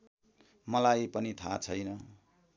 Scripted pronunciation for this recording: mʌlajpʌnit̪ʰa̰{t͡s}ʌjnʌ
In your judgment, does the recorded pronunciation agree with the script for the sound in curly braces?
no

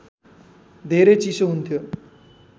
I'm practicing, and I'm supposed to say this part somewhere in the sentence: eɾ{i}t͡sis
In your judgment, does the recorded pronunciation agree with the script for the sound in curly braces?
no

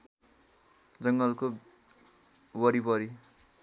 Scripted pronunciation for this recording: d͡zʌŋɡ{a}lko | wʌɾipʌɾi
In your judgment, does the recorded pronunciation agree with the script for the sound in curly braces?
no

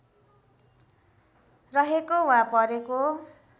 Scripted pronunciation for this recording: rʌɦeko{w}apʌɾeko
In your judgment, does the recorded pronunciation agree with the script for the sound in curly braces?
yes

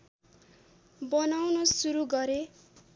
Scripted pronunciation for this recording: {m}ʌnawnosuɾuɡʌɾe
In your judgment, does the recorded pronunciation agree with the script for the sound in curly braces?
no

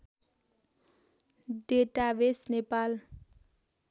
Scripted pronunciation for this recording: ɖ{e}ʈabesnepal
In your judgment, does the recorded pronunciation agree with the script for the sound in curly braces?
yes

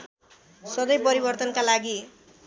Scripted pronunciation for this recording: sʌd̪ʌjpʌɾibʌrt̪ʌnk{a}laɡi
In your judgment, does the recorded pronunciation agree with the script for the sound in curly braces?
yes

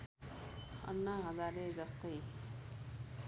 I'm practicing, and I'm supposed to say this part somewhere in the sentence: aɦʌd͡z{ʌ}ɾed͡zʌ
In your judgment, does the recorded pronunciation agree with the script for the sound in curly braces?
no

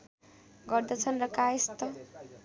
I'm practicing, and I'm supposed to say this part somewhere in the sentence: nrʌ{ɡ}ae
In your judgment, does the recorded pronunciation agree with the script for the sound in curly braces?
no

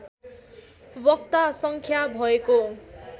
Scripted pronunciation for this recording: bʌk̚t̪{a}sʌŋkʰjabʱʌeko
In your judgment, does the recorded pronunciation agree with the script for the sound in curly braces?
yes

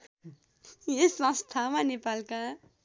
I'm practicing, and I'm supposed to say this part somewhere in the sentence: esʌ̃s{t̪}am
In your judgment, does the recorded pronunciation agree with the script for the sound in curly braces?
no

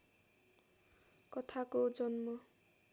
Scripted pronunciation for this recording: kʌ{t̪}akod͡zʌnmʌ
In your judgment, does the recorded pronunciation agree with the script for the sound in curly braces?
no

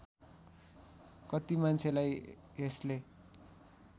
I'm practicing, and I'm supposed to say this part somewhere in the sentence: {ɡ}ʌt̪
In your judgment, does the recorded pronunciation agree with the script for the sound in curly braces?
no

